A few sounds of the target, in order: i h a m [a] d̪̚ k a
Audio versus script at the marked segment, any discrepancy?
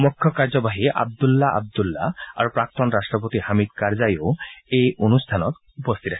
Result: yes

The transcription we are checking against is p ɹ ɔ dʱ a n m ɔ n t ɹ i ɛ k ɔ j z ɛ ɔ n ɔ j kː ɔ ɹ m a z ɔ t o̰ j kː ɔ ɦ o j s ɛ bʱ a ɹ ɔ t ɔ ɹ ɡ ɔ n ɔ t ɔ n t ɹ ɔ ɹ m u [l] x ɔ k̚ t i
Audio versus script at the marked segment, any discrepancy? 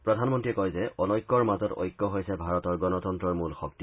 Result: no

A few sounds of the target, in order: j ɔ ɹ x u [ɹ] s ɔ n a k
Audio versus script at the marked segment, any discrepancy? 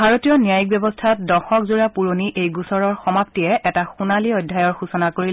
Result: yes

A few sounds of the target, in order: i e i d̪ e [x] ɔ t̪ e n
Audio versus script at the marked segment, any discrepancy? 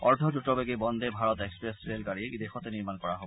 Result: no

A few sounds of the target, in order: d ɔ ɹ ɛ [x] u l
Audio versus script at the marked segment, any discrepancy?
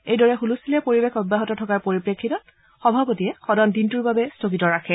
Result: no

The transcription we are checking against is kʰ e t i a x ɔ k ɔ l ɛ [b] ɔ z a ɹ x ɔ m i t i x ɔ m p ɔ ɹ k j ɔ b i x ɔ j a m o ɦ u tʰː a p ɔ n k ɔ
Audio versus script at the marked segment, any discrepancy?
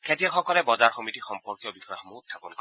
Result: no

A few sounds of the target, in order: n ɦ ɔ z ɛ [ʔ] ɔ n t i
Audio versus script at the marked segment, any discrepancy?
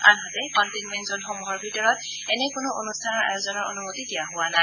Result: yes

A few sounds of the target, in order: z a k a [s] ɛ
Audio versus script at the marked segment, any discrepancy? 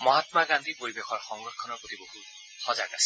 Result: no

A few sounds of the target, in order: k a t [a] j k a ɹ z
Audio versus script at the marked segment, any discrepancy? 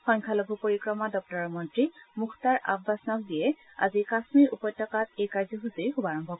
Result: yes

